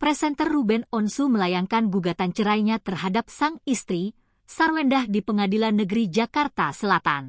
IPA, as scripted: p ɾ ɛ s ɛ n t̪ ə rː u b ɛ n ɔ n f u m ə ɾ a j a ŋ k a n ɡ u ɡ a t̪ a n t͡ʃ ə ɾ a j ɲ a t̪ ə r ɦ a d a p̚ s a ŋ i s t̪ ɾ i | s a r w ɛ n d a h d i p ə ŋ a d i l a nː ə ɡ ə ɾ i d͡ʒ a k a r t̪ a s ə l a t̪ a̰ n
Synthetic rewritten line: p ɾ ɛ s ɛ n t̪ ə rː u b ɛ n ɔ n s u m ə l a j a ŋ k a n ɡ u ɡ a t̪ a n t͡ʃ ə ɾ a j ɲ a t̪ ə r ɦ a d a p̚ s a ŋ i s t̪ ɾ i | s a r w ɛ n d a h d i p ə ŋ a d i l a nː ə ɡ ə ɾ i d͡ʒ a k a r t̪ a s ə l a t̪ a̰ n

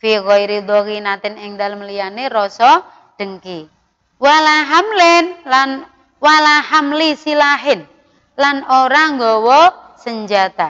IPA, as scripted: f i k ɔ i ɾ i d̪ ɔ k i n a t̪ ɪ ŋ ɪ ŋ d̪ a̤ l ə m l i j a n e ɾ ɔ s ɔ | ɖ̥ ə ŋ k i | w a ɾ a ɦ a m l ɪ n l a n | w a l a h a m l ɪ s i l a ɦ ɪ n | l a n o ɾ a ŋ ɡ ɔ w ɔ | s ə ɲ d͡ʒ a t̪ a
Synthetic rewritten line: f i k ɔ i ɾ i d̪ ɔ k i n a t̪ ɪ n ɪ ŋ d̪ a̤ l ə m l i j a n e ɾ ɔ s ɔ | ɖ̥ ə ŋ k i | w a l a ɦ a m l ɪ n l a n | w a l a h a m l i s i l a ɦ ɪ n | l a n o ɾ a ŋ ɡ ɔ w ɔ | s ə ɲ d͡ʒ a t̪ a

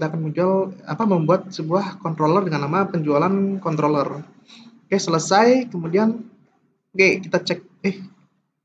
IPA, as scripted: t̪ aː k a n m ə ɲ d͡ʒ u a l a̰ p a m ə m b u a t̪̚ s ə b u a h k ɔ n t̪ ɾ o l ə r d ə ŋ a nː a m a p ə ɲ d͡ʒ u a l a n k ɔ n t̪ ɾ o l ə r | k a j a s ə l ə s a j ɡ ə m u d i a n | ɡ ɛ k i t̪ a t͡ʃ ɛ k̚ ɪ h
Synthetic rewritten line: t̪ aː k a n m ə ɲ d͡ʒ u a l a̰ p a m ə m b u a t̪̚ s ə b u a h k ɔ n t̪ ɾ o l ə r d ə ŋ a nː a m a p ə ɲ d͡ʒ u a l a n k ɔ n t̪ ɾ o l ə r | k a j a s ə l ə s a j k ə m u d i a n | ɡ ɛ k i t̪ a t͡ʃ ɛ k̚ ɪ h

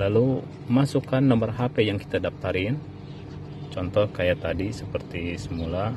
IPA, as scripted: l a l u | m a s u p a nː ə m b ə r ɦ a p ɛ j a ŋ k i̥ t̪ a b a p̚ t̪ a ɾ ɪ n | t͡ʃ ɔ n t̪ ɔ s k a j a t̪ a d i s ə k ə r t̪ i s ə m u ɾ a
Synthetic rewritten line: l a l u | m a s u k a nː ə m b ə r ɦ a p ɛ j a ŋ k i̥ t̪ a d a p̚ t̪ a ɾ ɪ n | t͡ʃ ɔ n t̪ ɔ h k a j a t̪ a d i s ə p ə r t̪ i s ə m u l a

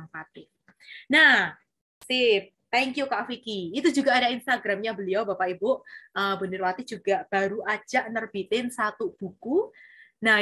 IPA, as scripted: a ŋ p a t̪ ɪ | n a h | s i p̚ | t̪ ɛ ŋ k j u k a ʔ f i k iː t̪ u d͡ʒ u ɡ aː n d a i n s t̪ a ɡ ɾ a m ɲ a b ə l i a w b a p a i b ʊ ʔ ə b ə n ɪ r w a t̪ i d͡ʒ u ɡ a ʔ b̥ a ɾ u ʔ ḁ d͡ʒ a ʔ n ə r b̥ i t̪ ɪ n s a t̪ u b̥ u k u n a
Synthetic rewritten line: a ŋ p a t̪ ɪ | n a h | s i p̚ | t̪ ɛ ŋ k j u k a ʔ f i k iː t̪ u d͡ʒ u ɡ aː d a i n s t̪ a ɡ ɾ a m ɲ a b ə l i a w b a p a i b ʊ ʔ ə b ə n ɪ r w a t̪ i d͡ʒ u ɡ a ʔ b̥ a ɾ u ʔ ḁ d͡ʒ a ʔ n ə r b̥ i t̪ ɪ n s a t̪ u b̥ u k u n a

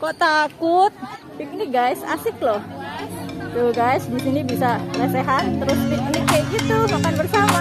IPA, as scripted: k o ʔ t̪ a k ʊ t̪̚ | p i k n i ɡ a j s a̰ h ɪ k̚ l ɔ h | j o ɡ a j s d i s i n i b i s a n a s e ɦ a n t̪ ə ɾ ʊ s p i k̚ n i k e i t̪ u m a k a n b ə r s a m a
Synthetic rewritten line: k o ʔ t̪ a k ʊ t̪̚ | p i k n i ɡ a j s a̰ s ɪ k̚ l ɔ h | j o ɡ a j s d i s i n i b i s a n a s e ɦ a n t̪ ə ɾ ʊ s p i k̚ n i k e i t̪ u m a k a n b ə r s a m a

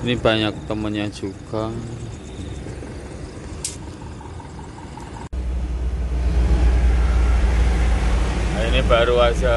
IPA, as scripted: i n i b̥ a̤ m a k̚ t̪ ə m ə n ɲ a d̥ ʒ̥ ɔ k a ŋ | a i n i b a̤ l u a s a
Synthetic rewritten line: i n i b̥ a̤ ɲ a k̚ t̪ ə m ə n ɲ a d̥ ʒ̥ u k a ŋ | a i n i b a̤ ɾ u a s a

